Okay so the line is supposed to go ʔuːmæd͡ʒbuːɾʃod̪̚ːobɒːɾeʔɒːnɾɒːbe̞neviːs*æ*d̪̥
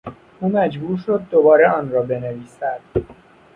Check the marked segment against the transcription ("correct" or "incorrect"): correct